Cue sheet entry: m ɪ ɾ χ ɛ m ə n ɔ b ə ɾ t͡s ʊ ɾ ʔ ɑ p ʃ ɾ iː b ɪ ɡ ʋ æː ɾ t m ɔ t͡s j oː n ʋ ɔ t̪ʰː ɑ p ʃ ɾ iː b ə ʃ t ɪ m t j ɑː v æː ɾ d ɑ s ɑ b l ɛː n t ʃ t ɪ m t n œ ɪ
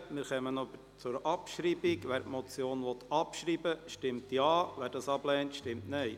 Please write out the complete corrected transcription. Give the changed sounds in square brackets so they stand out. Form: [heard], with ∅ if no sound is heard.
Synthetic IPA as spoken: m ɪ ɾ χ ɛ m ə n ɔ b ə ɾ t͡s ʊ ɾ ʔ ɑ p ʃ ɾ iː b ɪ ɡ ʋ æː ɾ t m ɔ t͡s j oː n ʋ ɔ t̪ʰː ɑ p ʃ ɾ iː b ə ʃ t ɪ m t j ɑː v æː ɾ d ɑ s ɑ b l ɛː n t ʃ t ɪ m t n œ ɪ